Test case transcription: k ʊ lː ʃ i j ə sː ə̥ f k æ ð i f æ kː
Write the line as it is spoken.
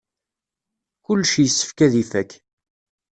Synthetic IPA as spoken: k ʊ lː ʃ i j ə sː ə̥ f k æ ð i f æ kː